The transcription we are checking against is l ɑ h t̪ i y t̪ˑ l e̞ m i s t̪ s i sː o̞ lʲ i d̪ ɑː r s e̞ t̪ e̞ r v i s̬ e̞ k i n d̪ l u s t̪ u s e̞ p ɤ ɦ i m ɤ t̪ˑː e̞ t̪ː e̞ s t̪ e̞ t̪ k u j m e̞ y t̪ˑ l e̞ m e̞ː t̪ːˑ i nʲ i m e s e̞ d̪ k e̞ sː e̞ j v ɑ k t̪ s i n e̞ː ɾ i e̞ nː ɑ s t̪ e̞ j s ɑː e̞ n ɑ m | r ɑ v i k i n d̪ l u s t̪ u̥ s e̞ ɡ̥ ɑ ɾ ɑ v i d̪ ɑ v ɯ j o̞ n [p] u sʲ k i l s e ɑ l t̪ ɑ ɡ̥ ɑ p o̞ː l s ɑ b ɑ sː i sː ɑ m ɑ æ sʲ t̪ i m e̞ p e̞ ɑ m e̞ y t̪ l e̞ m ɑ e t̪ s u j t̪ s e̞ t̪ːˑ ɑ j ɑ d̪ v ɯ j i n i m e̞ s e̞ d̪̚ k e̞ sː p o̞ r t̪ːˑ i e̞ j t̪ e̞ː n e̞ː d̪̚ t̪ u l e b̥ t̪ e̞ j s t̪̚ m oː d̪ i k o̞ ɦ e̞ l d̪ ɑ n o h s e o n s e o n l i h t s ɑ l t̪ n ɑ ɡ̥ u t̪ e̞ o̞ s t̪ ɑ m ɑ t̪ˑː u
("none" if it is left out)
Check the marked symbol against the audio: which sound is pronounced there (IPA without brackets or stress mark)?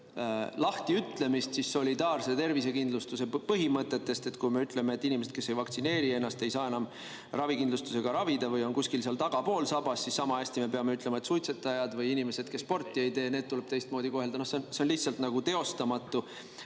k